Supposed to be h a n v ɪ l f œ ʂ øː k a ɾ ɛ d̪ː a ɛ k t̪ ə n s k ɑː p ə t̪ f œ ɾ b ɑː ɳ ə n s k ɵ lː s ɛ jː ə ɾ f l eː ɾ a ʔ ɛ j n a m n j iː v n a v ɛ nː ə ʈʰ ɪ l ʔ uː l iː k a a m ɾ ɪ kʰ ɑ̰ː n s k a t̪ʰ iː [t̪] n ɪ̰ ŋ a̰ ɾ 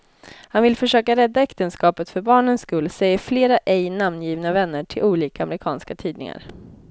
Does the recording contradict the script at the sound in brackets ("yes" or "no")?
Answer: yes